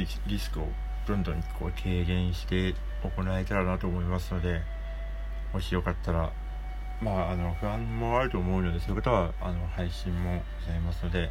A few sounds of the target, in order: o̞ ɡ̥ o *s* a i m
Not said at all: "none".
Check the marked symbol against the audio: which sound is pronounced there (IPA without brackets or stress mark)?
z